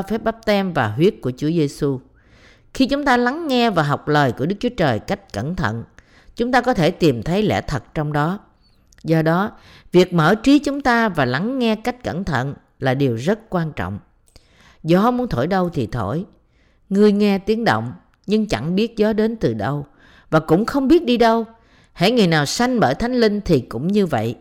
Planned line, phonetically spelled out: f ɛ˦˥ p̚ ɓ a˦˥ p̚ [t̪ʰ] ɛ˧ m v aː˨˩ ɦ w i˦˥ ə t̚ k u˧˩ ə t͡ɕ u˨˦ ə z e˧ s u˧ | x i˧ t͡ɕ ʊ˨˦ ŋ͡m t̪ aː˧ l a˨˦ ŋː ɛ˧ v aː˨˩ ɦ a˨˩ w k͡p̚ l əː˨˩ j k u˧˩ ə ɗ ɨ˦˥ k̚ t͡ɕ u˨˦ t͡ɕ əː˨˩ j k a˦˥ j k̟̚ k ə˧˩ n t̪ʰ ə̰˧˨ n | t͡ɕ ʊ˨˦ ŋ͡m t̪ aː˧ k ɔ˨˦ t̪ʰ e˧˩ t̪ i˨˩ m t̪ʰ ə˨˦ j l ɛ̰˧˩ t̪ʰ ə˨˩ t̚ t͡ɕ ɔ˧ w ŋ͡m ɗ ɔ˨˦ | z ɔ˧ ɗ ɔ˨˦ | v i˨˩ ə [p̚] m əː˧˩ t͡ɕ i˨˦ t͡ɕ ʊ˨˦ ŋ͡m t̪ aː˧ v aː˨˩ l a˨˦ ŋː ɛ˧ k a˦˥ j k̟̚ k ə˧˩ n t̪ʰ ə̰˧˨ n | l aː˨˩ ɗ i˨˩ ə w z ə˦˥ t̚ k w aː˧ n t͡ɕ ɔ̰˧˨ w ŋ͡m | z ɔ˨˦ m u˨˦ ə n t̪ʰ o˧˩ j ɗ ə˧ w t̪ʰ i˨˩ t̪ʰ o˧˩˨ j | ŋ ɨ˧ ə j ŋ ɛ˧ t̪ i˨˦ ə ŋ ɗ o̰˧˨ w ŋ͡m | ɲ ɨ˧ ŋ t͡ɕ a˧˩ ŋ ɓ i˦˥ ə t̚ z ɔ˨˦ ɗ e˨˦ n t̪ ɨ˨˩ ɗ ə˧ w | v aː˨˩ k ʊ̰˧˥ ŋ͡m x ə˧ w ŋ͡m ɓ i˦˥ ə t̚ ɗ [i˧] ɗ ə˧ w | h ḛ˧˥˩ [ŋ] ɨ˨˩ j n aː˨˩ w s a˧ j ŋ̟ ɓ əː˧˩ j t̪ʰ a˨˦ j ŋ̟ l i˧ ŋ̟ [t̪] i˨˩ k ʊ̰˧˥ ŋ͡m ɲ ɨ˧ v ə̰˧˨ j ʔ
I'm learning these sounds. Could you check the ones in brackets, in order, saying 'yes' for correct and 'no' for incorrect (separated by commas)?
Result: no, no, yes, yes, no